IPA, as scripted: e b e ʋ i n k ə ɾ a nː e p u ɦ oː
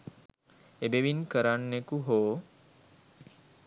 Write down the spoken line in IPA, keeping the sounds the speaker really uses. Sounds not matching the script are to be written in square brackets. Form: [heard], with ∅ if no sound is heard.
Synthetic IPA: e b e ʋ i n k ə ɾ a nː e [k] u ɦ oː